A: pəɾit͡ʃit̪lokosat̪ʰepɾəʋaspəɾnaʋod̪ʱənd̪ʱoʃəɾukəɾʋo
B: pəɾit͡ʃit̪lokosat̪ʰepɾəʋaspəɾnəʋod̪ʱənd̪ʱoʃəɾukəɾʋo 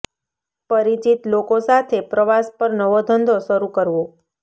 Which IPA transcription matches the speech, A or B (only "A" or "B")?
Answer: B